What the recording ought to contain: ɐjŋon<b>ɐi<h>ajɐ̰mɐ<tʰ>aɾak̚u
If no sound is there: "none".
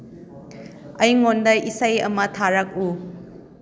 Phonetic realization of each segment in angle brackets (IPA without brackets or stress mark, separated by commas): d, s, tʰ